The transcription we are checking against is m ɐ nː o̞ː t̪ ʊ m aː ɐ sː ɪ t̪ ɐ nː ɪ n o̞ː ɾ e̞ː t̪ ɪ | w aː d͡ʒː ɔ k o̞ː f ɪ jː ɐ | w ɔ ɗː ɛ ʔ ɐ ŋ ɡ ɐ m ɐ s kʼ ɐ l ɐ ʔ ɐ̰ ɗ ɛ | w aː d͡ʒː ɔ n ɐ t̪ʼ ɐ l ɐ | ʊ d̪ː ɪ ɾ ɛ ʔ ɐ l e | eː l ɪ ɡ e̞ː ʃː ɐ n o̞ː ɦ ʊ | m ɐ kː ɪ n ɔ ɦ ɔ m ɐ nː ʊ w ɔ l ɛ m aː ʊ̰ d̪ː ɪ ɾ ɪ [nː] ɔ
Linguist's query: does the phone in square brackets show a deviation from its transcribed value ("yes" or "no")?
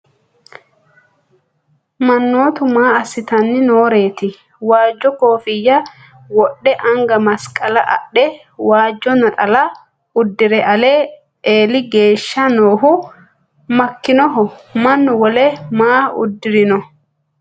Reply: yes